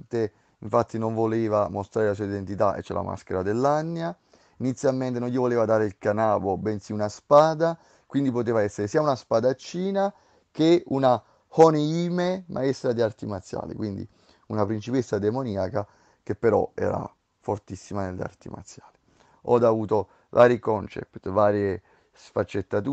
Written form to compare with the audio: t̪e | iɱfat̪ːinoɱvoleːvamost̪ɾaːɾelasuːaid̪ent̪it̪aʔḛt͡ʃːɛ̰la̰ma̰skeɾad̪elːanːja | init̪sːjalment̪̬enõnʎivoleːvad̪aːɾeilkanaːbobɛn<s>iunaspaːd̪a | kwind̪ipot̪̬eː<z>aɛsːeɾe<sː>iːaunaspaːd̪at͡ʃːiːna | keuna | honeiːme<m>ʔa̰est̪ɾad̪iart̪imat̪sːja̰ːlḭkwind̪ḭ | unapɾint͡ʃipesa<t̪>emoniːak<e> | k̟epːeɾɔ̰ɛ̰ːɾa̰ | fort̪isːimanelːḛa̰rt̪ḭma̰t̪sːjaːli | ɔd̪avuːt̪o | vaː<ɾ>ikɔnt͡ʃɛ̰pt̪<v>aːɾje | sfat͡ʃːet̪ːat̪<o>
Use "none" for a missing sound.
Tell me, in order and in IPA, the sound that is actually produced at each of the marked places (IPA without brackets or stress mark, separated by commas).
s, v, s, m, d̪, a, ɾ, v, u